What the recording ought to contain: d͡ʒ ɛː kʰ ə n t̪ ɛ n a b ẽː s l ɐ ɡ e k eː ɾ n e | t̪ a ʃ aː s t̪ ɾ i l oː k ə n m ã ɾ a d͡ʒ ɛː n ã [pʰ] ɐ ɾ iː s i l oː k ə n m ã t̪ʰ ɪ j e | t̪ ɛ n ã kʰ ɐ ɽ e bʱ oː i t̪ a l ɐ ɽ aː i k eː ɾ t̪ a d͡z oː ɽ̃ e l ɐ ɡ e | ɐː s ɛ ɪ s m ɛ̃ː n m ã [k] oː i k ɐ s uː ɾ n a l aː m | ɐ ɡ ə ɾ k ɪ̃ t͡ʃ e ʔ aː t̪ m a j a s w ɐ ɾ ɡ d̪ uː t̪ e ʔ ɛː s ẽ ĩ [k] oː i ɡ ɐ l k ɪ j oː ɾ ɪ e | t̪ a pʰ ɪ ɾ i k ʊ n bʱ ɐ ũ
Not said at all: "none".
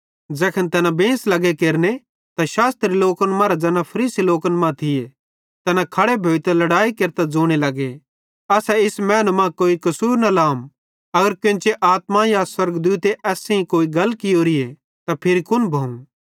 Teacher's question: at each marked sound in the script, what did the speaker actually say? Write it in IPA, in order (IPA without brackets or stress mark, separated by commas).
pʰ, k, k